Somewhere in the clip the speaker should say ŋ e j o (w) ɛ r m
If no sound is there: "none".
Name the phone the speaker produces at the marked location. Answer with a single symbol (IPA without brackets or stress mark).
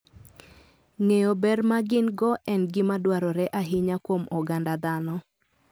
b